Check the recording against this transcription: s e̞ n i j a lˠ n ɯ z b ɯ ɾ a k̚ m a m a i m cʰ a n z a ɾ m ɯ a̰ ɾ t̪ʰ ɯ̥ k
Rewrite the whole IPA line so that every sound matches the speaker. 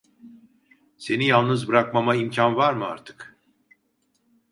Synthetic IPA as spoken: s e̞ n i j a lˠ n ɯ z b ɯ ɾ a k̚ m a m a i m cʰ a n v a ɾ m ɯ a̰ ɾ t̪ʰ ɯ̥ k